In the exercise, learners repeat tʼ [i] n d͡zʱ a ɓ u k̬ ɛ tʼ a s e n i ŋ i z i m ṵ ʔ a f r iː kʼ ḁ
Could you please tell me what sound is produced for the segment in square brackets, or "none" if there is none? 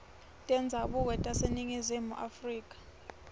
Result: ɛ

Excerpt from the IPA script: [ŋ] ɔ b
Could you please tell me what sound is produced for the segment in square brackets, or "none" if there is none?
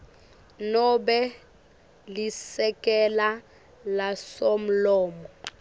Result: n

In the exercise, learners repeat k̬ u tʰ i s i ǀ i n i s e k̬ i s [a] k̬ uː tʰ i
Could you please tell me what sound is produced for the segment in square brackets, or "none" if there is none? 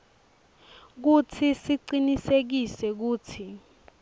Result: ɛ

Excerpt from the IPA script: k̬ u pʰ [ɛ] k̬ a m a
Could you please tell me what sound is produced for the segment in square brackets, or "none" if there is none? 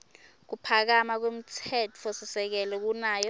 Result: a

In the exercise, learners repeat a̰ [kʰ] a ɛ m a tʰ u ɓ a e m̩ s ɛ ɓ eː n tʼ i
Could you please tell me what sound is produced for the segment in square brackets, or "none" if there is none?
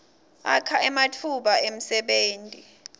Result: kʰ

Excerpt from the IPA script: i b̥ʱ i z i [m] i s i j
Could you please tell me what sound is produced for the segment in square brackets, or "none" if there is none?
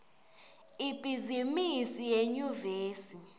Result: m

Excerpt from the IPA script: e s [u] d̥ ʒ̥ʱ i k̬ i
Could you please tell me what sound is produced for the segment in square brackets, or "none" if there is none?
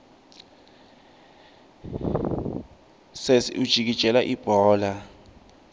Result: u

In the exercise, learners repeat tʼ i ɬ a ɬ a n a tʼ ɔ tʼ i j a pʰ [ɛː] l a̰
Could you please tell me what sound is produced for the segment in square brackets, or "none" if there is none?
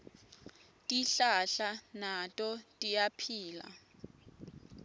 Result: iː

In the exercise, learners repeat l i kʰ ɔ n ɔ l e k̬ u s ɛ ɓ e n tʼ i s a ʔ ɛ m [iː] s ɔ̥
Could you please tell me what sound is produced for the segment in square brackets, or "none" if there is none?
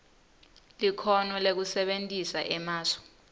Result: aː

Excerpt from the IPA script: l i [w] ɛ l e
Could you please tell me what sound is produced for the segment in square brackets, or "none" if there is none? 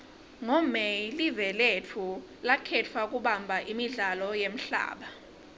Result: v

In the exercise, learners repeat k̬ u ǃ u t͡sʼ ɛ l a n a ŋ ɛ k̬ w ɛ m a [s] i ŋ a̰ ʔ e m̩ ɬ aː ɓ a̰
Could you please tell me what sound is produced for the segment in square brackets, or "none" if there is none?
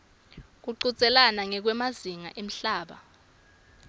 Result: z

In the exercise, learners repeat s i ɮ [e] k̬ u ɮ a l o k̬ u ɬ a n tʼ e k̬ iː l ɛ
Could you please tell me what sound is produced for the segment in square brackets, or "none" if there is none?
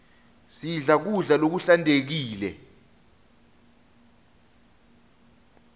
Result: a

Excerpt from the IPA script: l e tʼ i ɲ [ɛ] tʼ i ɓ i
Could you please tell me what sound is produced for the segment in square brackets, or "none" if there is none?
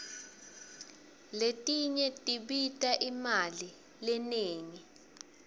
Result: ɛ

